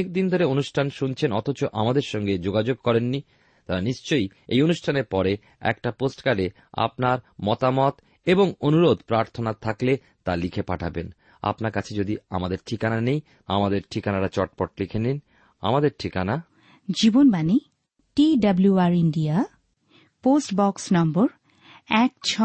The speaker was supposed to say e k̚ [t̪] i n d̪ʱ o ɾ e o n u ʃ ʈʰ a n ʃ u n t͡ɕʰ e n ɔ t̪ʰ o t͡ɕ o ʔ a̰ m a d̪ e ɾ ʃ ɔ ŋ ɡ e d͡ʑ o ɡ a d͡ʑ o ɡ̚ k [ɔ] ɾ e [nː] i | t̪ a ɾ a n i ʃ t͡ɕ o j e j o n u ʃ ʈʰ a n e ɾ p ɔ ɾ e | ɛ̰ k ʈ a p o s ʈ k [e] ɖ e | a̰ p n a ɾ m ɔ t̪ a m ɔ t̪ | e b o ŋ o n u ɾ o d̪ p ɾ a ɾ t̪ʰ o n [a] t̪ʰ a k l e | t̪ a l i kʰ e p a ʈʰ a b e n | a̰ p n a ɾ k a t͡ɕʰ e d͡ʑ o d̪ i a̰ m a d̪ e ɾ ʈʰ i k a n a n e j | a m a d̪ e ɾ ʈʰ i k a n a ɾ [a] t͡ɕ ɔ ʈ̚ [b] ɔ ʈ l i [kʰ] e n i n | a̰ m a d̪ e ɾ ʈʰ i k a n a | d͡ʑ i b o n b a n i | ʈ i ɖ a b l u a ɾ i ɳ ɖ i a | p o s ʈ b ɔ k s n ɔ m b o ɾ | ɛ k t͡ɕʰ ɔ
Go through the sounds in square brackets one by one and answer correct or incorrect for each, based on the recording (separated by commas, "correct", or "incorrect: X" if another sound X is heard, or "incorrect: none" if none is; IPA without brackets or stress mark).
incorrect: d̪, correct, correct, incorrect: a, correct, correct, incorrect: p, correct